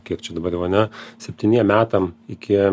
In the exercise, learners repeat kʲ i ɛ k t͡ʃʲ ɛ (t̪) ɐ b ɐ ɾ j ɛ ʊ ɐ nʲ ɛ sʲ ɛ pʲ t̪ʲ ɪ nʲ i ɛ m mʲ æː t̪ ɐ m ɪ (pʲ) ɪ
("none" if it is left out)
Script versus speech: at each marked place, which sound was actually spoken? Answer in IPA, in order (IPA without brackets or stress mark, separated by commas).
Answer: d̪, kʲ